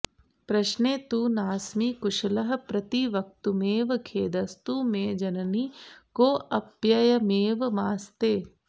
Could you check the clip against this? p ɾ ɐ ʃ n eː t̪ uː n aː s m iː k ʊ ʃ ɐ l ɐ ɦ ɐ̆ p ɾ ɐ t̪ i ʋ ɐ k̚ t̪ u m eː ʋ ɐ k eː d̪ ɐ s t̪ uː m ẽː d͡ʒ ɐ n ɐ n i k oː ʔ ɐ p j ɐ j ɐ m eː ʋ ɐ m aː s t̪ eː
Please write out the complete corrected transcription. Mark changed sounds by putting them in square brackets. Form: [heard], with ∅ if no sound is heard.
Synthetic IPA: p ɾ ɐ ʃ n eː t̪ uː n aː s m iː k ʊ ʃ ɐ l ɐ ɦ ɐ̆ p ɾ ɐ t̪ i ʋ ɐ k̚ t̪ u m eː ʋ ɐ [kʰ] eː d̪ ɐ s t̪ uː m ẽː d͡ʒ ɐ n ɐ n i k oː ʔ ɐ p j ɐ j ɐ m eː ʋ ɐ m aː s t̪ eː